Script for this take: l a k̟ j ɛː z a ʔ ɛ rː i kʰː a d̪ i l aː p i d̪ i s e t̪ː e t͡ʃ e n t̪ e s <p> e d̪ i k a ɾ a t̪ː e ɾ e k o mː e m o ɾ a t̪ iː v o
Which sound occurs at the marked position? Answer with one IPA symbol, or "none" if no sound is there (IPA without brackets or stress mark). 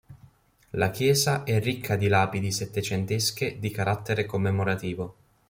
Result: k